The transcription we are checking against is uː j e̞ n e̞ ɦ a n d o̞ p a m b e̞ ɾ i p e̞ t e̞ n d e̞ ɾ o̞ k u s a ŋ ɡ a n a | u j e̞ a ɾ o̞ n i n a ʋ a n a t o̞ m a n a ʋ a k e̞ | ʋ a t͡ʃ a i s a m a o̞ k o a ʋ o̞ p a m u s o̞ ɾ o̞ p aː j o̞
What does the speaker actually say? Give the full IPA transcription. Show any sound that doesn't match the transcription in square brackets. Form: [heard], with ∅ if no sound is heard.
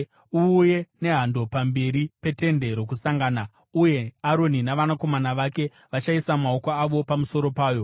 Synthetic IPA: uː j e̞ n e̞ ɦ a n d o̞ p a m b e̞ ɾ i p e̞ t e̞ n d e̞ ɾ o̞ k u s a ŋ ɡ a n a | u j e̞ a ɾ o̞ n i n a ʋ a n a [k] o̞ m a n a ʋ a k e̞ | ʋ a t͡ʃ a i s a m a o̞ k o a ʋ o̞ p a m u s o̞ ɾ o̞ p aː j o̞